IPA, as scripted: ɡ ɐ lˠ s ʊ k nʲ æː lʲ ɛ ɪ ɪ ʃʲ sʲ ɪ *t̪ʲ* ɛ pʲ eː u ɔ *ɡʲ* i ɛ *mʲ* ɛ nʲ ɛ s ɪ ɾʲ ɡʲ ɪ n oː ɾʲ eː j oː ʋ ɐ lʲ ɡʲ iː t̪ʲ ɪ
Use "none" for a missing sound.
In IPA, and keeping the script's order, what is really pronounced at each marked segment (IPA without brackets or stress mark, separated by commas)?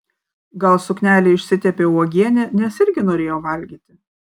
t̪ʲ, ɡʲ, nʲ